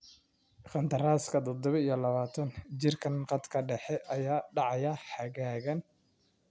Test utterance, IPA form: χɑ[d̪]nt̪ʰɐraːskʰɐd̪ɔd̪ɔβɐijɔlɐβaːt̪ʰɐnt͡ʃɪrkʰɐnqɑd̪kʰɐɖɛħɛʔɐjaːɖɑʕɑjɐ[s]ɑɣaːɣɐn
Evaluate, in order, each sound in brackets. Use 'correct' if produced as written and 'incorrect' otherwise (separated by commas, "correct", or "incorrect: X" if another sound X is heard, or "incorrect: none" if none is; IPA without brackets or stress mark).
incorrect: none, incorrect: ħ